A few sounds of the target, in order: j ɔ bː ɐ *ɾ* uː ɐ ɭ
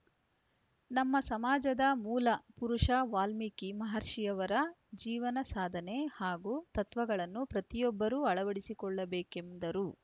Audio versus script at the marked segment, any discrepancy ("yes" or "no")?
no